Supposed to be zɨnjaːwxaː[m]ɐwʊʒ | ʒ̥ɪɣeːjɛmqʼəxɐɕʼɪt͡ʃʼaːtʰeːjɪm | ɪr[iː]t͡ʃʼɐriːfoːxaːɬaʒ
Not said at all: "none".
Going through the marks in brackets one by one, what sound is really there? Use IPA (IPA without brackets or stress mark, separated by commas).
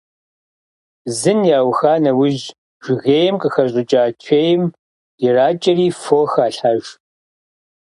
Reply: n, aː